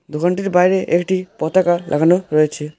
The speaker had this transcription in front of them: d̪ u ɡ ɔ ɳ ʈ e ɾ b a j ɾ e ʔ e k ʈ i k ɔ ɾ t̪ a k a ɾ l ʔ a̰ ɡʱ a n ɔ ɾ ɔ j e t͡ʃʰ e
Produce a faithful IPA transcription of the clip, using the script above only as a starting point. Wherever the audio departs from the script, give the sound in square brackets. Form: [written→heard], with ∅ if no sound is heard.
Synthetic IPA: d̪ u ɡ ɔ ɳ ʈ [e→i] ɾ b a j ɾ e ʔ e k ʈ i [k→p] ɔ [ɾ→∅] t̪ a k a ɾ l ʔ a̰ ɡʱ a n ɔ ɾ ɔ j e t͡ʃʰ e